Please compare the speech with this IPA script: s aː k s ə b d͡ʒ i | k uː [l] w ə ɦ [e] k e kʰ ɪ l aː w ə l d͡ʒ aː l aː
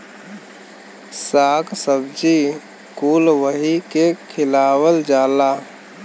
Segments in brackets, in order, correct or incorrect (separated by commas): correct, incorrect